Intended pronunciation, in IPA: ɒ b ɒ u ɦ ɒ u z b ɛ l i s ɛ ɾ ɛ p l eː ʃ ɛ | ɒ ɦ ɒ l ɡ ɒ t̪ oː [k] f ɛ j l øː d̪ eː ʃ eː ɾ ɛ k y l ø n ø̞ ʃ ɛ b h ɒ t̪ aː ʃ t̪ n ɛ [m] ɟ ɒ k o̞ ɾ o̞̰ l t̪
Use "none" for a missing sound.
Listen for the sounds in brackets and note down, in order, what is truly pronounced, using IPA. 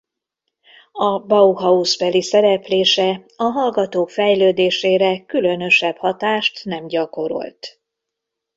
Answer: k, m

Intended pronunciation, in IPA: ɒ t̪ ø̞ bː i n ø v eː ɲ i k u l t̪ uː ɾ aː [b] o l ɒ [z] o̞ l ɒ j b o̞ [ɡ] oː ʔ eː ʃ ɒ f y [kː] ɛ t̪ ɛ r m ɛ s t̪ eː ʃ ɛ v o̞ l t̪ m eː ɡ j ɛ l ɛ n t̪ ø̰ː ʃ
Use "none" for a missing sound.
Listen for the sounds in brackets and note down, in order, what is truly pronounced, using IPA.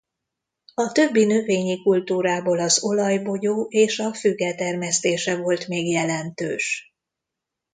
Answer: b, z, ɟ, ɡː

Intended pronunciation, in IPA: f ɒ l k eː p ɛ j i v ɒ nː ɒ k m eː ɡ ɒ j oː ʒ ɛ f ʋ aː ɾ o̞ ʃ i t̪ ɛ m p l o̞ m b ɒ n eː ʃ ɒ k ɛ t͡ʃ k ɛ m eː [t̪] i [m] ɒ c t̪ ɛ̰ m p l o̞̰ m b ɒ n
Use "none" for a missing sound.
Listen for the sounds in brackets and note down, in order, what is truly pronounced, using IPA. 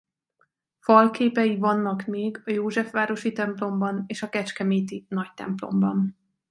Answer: t̪, n

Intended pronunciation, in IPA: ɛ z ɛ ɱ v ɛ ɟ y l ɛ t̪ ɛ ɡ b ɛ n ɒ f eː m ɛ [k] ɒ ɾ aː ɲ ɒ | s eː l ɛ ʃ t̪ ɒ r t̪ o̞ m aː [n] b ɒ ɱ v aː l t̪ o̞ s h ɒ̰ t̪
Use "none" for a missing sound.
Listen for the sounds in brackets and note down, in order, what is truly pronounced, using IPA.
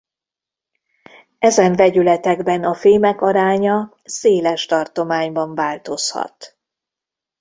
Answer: k, ɲ

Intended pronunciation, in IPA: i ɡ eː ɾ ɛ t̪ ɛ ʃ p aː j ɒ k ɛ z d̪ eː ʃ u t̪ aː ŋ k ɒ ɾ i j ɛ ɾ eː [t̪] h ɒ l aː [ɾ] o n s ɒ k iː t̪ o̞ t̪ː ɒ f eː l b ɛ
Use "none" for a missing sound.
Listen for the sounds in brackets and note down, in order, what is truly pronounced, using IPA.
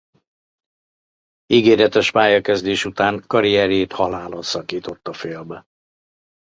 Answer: t̪, l

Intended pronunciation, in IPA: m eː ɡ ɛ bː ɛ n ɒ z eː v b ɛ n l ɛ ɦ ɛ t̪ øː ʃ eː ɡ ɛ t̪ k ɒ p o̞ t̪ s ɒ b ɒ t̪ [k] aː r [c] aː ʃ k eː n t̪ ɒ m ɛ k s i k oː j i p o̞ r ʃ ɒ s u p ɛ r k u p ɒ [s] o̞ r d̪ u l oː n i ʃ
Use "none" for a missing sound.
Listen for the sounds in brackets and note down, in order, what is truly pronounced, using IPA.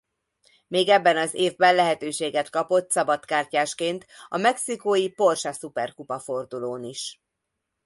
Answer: k, c, f

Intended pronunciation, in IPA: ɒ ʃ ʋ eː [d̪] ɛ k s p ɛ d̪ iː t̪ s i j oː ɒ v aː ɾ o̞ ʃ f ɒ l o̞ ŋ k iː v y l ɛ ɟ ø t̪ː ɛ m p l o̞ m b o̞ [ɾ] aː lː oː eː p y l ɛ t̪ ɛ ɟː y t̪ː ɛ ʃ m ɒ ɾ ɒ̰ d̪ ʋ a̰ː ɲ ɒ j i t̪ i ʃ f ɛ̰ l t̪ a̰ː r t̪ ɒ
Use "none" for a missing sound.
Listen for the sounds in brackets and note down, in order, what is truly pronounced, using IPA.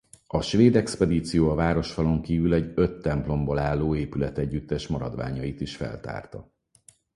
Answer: d̪, l

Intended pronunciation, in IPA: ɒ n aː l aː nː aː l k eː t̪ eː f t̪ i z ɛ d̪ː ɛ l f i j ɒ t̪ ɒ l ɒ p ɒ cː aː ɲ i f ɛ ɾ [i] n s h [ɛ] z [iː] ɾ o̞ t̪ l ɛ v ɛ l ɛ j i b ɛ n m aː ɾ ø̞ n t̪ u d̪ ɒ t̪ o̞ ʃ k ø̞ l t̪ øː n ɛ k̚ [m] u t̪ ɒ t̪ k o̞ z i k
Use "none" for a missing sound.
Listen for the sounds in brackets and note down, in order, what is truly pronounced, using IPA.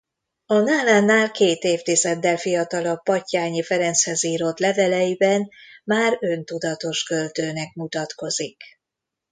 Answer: ɛ, ɛ, iː, m

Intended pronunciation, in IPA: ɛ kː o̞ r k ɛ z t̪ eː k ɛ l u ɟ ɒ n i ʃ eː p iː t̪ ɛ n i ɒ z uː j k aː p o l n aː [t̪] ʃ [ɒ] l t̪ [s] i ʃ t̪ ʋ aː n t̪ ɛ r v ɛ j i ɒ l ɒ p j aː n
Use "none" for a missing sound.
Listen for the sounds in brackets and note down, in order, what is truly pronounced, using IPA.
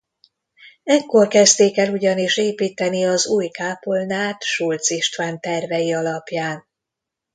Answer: t̪, u, s

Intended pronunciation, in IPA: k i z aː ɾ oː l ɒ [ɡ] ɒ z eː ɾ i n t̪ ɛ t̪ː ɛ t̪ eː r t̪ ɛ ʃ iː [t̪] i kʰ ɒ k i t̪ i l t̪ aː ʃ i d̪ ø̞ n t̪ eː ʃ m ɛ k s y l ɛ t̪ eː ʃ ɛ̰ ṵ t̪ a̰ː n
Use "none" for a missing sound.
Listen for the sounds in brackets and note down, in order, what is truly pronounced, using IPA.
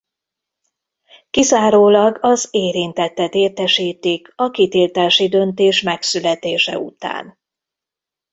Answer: ɡ, t̪

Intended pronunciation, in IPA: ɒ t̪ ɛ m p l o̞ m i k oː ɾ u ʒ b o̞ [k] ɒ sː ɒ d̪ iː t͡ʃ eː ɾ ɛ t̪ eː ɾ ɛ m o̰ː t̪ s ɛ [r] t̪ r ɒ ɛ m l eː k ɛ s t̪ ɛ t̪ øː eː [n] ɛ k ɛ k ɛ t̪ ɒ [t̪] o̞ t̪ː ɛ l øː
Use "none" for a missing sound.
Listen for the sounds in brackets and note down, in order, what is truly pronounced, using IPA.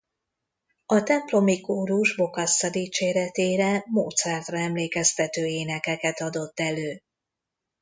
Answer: k, r, n, d̪

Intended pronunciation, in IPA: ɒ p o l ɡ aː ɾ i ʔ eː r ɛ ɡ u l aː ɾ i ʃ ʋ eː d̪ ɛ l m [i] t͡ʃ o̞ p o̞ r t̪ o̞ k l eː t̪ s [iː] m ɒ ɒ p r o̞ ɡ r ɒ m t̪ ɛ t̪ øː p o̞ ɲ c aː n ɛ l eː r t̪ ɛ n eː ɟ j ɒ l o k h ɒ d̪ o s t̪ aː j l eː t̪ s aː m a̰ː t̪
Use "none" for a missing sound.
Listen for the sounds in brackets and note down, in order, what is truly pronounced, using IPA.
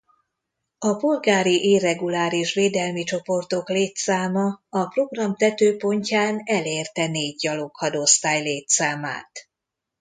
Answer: i, aː

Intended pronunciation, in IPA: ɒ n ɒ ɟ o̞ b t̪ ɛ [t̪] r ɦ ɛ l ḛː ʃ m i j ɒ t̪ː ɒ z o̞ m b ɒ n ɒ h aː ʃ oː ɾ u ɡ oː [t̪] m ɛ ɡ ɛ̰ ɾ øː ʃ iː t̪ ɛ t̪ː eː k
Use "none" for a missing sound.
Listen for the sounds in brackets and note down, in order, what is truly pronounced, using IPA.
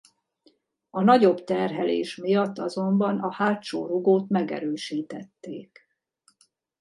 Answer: none, t̪

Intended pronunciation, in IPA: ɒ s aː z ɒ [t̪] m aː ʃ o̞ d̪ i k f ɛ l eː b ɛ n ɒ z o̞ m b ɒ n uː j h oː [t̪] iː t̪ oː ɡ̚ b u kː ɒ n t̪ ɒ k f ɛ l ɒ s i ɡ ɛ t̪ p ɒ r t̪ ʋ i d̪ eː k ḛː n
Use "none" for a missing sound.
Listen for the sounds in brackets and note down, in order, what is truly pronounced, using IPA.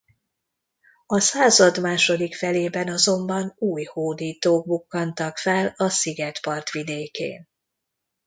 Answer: d̪, d̪

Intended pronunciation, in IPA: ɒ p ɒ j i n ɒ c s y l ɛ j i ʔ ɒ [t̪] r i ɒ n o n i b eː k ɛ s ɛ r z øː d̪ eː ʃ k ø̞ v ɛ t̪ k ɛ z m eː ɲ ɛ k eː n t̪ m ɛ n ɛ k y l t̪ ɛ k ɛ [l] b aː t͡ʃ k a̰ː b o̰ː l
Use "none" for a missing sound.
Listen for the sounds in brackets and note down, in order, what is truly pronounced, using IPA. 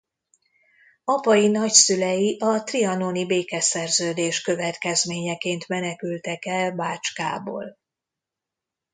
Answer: t̪, l

